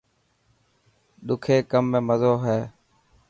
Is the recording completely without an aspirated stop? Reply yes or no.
no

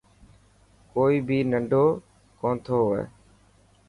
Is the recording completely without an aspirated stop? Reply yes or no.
no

